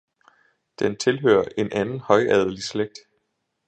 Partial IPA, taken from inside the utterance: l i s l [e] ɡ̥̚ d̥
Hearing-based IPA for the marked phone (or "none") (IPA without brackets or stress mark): e